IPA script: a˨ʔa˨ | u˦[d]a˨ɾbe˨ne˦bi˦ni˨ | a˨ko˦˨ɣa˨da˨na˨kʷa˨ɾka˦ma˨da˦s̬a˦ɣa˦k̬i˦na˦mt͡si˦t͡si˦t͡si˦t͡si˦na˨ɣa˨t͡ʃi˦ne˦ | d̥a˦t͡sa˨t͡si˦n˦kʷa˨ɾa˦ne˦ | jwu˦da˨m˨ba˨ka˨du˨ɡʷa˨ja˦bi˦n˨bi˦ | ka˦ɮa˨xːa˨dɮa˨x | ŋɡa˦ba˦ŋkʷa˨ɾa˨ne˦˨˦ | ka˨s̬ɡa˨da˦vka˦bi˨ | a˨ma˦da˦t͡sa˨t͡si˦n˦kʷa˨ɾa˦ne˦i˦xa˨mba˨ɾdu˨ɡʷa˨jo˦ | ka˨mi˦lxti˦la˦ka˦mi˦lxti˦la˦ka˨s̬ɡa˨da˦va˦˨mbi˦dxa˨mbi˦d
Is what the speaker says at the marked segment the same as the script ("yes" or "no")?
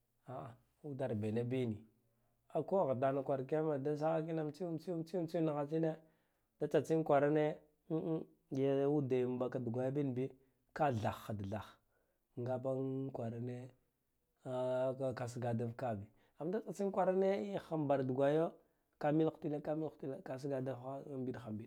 yes